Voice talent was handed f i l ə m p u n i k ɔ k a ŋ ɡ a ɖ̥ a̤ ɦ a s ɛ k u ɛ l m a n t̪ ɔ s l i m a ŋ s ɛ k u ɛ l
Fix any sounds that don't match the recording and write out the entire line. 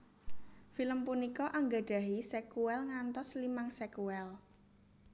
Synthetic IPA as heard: f i l ə m p u n i k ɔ ʔ a ŋ ɡ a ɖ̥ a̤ ɦ i s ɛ k u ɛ l ŋ a n t̪ ɔ s l i m a ŋ s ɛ k u ɛ l